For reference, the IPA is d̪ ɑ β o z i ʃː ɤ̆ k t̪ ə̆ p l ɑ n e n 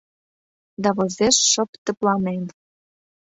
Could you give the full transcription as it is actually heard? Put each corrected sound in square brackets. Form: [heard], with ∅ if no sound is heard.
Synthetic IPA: d̪ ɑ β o z [e] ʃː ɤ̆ [p] t̪ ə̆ p l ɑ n e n